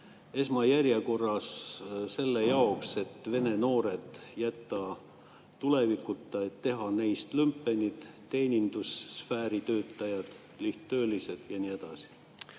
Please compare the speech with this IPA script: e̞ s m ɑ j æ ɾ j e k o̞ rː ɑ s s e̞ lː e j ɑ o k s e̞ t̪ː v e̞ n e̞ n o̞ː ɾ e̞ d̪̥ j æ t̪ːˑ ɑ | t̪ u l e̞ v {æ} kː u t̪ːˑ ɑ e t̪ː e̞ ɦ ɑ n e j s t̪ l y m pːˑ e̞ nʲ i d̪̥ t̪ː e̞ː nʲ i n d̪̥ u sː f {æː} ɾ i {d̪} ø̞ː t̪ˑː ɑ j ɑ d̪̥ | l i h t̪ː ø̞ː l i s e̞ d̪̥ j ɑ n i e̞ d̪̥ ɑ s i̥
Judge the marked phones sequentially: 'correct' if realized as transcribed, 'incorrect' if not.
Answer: incorrect, correct, incorrect

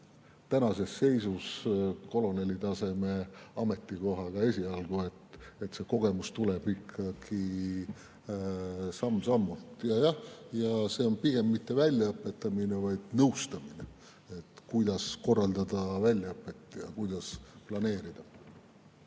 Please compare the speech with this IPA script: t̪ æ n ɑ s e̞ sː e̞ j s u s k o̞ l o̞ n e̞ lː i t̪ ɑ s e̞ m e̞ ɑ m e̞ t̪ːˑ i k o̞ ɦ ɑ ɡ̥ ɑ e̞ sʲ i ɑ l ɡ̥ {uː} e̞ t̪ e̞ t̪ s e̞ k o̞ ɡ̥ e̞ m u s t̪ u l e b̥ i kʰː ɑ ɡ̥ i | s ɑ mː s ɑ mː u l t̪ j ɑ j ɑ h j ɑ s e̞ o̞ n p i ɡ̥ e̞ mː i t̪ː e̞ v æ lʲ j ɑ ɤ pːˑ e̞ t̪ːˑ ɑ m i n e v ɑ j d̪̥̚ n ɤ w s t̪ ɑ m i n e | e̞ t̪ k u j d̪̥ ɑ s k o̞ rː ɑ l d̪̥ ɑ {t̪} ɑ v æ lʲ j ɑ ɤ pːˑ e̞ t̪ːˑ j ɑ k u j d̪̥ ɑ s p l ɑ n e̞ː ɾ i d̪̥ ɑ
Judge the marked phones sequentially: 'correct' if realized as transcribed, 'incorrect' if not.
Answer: incorrect, incorrect

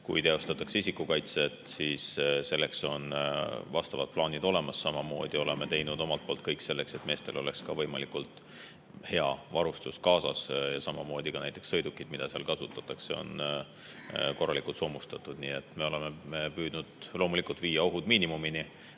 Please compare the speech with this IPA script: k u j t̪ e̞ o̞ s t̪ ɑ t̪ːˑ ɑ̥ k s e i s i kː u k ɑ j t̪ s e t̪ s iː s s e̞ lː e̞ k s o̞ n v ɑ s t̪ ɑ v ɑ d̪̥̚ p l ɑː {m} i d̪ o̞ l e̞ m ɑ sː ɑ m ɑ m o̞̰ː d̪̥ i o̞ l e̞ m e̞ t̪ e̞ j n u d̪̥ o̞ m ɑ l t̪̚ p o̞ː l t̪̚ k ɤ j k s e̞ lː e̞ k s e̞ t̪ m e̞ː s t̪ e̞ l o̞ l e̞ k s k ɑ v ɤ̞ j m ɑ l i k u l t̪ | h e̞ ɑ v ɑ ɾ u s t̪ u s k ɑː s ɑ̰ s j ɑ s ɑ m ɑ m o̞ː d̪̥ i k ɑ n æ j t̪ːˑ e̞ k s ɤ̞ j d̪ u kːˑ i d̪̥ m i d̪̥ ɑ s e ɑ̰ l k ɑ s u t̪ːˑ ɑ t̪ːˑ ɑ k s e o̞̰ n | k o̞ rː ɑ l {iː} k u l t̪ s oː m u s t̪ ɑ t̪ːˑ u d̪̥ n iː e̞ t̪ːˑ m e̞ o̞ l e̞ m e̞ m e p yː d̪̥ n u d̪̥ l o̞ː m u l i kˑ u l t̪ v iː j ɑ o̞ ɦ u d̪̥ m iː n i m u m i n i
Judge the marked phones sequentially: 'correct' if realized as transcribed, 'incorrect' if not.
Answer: incorrect, incorrect

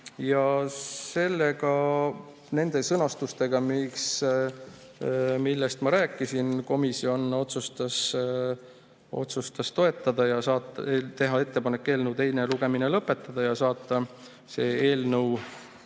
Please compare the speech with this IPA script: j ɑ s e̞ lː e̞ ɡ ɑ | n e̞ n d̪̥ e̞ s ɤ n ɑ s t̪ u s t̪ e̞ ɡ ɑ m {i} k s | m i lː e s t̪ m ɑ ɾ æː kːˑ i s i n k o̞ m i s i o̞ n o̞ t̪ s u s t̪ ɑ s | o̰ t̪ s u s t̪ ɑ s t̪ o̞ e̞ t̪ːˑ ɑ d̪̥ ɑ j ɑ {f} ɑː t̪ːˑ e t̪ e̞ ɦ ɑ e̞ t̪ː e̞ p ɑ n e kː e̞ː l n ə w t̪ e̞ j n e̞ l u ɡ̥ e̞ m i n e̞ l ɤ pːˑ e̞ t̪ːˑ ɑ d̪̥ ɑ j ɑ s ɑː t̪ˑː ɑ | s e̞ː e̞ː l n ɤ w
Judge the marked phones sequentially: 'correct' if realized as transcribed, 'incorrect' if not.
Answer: correct, incorrect

